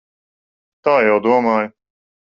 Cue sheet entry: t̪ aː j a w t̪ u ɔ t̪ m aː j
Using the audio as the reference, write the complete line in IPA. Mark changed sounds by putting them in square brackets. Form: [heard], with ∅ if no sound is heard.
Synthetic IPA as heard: t̪ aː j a w [d̪] u ɔ [∅] m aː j